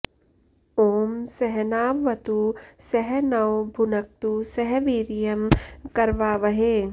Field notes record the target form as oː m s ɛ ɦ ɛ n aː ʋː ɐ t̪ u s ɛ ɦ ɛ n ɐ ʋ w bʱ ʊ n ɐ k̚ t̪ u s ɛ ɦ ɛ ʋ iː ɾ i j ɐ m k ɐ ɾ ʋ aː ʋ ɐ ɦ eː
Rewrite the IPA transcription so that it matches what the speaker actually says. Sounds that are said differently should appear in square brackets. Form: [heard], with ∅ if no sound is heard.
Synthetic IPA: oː m s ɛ ɦ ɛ n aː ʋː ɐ t̪ u s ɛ ɦ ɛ n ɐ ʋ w bʱ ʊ n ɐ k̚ t̪ u s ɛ ɦ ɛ ʋ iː ɾ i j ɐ m k ɐ ɾ ʋ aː ʋ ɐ ɦ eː

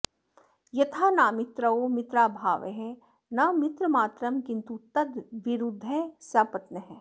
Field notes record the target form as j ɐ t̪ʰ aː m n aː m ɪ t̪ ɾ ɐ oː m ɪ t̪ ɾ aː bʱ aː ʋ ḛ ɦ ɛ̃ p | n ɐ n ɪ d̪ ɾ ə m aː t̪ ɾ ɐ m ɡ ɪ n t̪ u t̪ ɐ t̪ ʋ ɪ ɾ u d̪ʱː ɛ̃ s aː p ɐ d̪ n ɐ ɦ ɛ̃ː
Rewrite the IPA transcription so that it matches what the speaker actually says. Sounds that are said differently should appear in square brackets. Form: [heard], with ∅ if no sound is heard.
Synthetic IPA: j ɐ t̪ʰ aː [∅] n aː m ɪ t̪ ɾ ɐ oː m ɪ t̪ ɾ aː bʱ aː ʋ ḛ ɦ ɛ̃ [∅] | n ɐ [m] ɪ [t̪] ɾ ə m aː t̪ ɾ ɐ m [k] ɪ n t̪ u t̪ ɐ [d̪] ʋ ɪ ɾ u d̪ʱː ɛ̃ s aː p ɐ [t̪] n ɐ ɦ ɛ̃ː

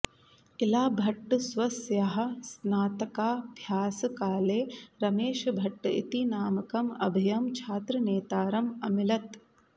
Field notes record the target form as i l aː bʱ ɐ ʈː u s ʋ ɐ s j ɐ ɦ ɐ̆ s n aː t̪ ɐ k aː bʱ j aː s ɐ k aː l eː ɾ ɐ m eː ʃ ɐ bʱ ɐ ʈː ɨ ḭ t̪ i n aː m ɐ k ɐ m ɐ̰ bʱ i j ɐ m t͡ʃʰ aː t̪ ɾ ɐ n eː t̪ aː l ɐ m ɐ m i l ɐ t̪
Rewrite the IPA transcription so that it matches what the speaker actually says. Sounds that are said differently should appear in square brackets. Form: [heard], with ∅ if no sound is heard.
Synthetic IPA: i l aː bʱ ɐ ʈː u s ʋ ɐ s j ɐ ɦ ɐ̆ s n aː t̪ ɐ k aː bʱ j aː s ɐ k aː l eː ɾ ɐ m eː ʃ ɐ bʱ ɐ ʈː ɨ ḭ t̪ i n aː m ɐ k ɐ m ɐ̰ bʱ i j ɐ m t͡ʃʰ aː t̪ ɾ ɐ n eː t̪ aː [ɾ] ɐ m ɐ m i l ɐ t̪

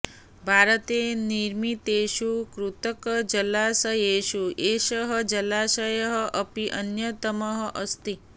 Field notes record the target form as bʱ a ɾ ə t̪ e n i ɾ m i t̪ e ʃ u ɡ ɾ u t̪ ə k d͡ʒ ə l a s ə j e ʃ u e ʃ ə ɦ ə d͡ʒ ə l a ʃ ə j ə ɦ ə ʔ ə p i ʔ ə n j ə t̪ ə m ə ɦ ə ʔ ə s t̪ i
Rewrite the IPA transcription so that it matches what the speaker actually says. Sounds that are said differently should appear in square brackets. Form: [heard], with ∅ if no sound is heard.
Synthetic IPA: bʱ a ɾ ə t̪ e n i ɾ m i t̪ e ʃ u [k] ɾ u t̪ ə k d͡ʒ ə l a s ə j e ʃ u e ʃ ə ɦ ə d͡ʒ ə l a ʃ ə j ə ɦ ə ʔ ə p i ʔ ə n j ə t̪ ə m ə ɦ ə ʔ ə s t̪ i

